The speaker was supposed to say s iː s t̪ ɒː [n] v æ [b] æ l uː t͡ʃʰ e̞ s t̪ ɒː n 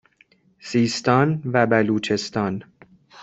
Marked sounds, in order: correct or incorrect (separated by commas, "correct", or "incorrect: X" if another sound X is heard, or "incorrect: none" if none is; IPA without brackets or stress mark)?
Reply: correct, correct